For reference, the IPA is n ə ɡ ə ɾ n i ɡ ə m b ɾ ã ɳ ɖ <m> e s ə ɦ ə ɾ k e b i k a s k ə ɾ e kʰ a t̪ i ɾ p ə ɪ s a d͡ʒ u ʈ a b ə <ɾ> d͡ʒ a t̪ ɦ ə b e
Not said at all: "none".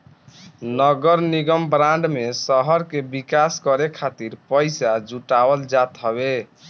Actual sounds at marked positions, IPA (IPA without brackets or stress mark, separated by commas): m, l